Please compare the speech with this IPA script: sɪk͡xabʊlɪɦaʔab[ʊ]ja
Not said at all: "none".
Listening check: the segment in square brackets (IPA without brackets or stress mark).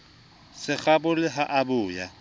ʊː